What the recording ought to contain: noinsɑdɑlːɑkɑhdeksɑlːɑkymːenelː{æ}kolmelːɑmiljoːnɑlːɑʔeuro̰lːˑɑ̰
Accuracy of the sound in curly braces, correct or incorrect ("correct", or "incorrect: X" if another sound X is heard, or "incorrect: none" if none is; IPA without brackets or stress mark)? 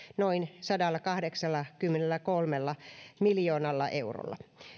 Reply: correct